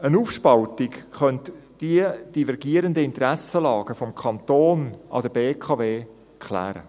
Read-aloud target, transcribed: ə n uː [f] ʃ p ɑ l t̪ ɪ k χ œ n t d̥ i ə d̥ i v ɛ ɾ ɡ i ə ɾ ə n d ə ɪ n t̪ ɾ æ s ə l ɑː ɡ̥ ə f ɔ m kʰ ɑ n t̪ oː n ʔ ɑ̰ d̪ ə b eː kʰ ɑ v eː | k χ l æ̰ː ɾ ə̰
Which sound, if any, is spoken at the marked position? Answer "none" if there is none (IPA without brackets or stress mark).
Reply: f